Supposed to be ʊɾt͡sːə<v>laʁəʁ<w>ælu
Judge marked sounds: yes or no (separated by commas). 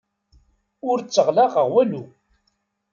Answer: no, yes